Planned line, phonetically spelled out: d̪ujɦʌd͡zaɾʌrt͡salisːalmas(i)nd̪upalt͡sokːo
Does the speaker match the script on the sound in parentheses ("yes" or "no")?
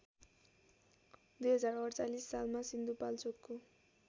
yes